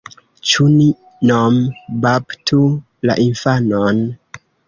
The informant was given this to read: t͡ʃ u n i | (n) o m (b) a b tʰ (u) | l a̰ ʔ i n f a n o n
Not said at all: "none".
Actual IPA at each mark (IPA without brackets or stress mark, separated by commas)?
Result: n, b, u